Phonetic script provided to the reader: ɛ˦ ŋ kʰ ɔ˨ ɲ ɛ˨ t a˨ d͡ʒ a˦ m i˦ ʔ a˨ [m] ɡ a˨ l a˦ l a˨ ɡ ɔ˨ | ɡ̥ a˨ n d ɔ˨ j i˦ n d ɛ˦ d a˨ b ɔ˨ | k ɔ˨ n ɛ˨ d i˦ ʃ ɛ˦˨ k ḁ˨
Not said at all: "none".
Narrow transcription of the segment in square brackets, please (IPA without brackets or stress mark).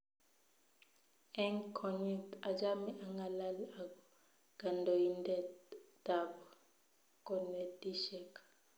ŋ